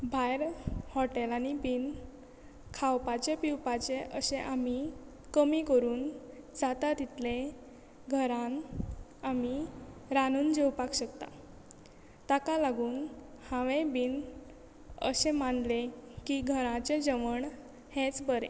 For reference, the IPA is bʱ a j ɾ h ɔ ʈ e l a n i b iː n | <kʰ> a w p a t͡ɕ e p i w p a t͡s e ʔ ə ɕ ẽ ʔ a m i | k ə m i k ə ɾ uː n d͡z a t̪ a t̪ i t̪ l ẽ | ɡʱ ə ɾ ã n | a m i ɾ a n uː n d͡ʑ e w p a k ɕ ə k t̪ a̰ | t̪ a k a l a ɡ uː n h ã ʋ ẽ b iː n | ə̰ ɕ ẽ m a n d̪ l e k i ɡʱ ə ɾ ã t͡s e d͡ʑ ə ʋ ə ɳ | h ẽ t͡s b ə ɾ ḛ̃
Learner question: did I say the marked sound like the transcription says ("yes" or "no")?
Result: yes